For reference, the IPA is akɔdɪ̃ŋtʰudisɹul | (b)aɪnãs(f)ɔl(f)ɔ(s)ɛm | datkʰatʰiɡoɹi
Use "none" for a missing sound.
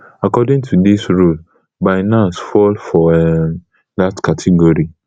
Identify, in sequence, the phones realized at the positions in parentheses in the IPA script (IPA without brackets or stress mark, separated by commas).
b, f, f, none